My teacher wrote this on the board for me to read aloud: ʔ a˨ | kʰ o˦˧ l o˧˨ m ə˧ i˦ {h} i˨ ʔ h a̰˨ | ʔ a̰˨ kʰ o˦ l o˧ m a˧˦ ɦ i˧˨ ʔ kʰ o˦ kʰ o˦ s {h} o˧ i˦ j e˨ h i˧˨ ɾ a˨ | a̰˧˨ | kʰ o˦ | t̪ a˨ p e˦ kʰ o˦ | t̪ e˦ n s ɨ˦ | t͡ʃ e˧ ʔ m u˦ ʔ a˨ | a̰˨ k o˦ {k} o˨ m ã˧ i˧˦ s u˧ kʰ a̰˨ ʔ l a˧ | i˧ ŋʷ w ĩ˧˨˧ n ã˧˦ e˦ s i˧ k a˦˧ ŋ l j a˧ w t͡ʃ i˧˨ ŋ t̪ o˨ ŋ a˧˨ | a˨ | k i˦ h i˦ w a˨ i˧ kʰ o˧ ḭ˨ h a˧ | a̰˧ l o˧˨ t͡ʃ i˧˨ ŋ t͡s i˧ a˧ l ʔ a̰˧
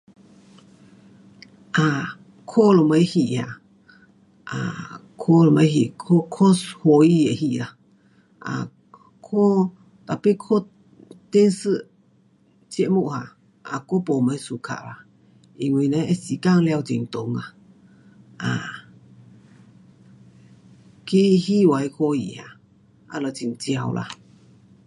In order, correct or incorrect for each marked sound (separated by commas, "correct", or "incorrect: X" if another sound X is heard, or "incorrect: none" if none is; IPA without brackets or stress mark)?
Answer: correct, correct, incorrect: p